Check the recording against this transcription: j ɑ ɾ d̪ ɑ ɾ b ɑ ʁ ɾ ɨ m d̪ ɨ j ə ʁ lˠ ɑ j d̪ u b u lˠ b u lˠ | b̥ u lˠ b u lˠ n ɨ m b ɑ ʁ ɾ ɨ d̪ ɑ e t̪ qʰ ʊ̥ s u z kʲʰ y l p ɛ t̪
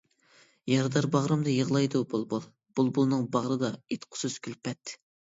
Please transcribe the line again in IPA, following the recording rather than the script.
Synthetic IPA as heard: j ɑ ɾ d̪ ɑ ɾ b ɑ ʁ ɾ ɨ m d̪ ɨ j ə ʁ lˠ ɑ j d̪ u b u lˠ b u lˠ | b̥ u lˠ b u lˠ n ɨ ŋ b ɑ ʁ ɾ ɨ d̪ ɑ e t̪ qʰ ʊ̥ s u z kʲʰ y l p ɛ t̪